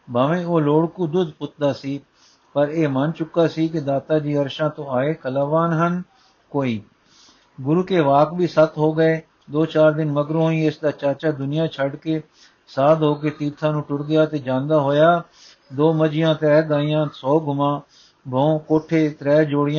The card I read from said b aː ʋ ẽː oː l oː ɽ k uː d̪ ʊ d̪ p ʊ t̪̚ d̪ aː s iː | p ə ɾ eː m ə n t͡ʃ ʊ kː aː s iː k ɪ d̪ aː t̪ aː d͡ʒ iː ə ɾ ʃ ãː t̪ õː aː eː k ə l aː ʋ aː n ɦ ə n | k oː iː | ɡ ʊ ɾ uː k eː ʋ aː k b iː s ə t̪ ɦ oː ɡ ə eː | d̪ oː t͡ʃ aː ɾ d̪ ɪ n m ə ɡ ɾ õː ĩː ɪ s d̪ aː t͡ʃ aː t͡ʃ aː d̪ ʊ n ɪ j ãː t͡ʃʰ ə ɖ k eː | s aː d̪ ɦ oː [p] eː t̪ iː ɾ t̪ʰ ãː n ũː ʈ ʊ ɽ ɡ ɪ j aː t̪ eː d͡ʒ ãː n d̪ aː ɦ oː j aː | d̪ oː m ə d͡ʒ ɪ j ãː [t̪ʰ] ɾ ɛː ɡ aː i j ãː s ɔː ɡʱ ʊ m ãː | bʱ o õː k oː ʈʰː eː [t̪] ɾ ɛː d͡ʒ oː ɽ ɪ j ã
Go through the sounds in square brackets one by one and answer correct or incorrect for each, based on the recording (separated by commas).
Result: incorrect, incorrect, correct